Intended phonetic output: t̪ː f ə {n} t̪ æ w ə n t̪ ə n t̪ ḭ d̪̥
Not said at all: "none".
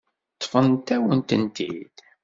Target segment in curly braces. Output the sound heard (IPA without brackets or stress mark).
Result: n